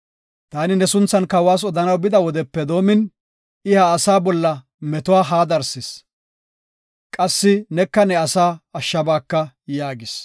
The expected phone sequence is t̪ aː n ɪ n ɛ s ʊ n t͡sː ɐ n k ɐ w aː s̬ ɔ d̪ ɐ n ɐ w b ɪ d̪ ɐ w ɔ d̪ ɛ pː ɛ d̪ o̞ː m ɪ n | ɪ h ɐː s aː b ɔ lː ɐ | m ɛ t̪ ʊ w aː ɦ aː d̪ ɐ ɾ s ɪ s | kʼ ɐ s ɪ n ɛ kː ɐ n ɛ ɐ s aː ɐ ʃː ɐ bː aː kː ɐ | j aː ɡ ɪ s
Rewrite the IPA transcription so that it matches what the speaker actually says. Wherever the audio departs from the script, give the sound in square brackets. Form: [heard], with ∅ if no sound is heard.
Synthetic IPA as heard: t̪ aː n ɪ n ɛ s ʊ n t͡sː ɐ n k ɐ w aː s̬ ɔ d̪ ɐ n ɐ w b ɪ d̪ ɐ w ɔ d̪ ɛ pː ɛ d̪ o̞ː m ɪ n | ɪ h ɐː s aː b ɔ lː ɐ | m ɛ t̪ ʊ w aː ɦ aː d̪ ɐ ɾ s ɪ s | kʼ ɐ [sː] ɪ n ɛ kː ɐ n ɛ ɐ s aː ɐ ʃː ɐ [b] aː kː ɐ | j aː ɡ ɪ s